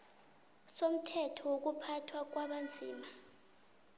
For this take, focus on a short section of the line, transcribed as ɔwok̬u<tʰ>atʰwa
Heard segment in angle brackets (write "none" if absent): pʰ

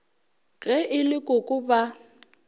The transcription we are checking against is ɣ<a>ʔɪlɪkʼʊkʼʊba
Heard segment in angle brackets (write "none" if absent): ɛ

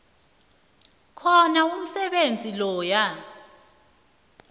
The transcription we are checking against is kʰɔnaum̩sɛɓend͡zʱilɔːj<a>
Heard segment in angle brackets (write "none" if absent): a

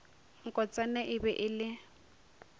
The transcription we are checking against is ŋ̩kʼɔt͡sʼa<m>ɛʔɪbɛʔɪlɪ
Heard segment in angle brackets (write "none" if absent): n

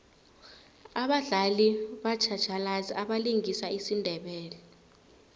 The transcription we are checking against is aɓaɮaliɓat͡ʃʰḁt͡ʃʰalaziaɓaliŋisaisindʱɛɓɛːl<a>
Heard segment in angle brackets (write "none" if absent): ɛ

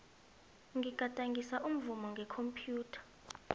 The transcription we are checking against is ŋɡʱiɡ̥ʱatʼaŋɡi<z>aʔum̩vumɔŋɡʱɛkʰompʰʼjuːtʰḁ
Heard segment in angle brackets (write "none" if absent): s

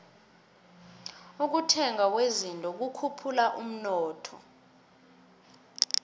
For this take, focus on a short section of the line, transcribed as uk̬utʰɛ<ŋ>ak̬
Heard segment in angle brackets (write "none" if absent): ŋ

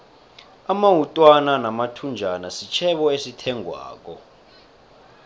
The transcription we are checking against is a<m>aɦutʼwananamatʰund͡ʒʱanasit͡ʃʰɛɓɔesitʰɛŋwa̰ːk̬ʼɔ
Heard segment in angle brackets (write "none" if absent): m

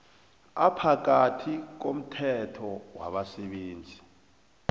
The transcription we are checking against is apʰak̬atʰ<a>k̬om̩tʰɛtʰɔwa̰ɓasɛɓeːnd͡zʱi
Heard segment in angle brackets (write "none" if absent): i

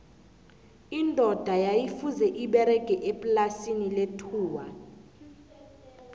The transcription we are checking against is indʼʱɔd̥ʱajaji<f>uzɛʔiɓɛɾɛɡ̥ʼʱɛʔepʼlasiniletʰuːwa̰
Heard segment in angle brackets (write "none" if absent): f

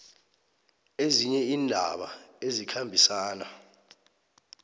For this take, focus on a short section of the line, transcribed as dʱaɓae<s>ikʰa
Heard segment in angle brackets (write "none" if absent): z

